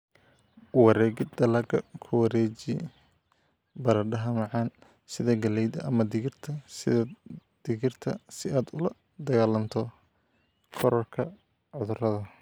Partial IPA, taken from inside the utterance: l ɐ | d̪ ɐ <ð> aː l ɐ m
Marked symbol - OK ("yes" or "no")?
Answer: no